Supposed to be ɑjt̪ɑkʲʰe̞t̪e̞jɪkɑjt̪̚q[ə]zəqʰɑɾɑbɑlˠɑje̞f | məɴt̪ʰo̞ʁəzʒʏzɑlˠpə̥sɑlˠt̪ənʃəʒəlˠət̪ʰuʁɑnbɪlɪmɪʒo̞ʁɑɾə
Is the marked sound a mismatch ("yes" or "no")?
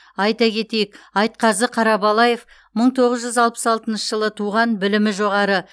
yes